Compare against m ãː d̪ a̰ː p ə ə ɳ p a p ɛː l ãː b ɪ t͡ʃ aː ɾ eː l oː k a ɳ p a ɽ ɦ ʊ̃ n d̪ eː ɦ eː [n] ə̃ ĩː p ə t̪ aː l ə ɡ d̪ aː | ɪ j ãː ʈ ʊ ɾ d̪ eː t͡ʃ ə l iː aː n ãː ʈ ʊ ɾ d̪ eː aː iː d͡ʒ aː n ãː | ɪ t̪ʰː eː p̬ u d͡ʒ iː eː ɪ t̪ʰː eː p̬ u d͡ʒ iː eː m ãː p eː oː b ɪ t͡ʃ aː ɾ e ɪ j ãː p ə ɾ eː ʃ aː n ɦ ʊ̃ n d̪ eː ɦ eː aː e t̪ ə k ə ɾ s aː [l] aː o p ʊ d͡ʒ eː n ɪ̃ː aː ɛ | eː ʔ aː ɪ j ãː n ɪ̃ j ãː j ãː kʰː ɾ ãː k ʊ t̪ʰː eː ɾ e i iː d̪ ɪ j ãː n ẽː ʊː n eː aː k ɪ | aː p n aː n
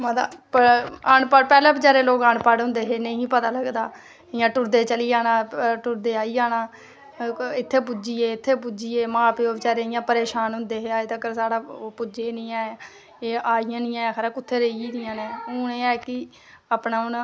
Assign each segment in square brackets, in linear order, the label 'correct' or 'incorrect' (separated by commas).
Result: correct, incorrect